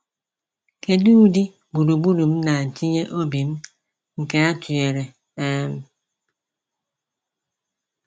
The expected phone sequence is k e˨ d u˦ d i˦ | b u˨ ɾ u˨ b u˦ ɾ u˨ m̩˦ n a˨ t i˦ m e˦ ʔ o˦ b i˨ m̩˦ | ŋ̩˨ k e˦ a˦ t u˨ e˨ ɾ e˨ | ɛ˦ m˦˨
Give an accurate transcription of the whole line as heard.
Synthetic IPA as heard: k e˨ d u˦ d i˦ | b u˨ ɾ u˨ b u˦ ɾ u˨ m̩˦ n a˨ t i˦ ɲ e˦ ʔ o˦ b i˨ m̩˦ | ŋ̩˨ k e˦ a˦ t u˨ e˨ ɾ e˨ | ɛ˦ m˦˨